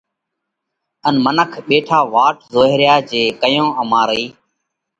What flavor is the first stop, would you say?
aspirated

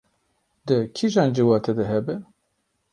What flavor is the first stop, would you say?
plain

